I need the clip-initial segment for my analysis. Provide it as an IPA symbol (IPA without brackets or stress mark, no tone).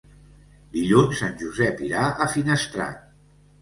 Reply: d̪